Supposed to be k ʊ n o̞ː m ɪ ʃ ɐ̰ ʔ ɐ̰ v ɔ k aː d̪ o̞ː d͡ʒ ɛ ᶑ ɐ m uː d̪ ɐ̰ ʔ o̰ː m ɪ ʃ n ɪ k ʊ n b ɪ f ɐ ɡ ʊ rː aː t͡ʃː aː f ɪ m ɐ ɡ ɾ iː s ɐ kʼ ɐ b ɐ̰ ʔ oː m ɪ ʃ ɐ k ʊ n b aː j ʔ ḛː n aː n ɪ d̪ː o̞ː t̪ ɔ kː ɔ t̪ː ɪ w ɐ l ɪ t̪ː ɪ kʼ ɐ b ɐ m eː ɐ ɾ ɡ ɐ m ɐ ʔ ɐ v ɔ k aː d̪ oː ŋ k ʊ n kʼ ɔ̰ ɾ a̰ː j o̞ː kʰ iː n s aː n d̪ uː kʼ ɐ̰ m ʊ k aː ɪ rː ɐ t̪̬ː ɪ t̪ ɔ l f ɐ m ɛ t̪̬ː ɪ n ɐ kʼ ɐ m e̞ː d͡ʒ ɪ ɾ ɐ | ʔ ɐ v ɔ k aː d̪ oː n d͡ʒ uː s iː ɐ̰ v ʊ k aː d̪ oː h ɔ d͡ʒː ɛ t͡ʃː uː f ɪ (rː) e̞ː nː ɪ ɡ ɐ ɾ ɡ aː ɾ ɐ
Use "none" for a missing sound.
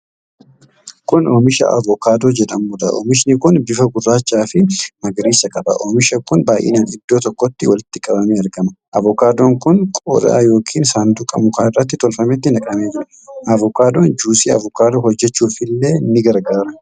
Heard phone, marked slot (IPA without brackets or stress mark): lː